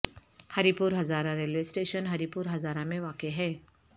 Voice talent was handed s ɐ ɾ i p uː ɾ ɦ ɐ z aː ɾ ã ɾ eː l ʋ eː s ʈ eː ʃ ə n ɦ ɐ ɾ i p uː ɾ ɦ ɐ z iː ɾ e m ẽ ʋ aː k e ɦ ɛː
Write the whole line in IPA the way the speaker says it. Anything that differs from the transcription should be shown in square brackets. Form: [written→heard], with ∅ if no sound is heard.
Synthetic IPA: [s→h] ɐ ɾ i p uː ɾ ɦ ɐ z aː ɾ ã ɾ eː l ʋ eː s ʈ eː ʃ ə n ɦ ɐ ɾ i p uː ɾ ɦ ɐ z [iː→aː] ɾ [e→a] m ẽ ʋ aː k e ɦ ɛː